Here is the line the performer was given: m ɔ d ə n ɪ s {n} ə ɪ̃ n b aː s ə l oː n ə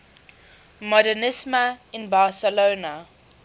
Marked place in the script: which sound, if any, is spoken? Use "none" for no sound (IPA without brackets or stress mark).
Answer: m